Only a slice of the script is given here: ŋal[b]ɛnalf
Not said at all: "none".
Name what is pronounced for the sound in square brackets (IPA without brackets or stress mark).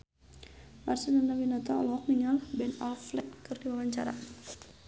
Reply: b